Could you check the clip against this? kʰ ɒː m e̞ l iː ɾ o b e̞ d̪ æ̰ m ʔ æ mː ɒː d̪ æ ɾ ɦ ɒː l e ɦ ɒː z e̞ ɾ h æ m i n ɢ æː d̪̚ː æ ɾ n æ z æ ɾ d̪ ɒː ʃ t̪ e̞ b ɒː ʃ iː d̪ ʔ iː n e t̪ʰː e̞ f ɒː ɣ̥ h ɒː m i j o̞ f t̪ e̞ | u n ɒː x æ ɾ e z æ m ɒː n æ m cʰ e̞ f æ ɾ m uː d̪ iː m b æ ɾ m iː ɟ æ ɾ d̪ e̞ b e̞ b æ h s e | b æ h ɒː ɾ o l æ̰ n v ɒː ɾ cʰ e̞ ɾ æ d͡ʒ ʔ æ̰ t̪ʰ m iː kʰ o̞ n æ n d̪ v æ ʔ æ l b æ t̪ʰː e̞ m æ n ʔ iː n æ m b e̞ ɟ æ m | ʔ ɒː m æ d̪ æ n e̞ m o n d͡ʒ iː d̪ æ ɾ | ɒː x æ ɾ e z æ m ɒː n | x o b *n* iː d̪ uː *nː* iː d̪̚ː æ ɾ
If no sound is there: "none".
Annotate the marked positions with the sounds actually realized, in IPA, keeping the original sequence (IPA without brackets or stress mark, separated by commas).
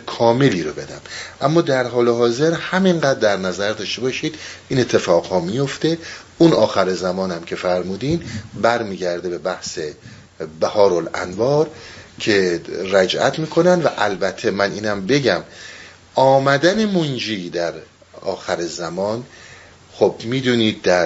m, n